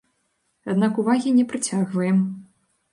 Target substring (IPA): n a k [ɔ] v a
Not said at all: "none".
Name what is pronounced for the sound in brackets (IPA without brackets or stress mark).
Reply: u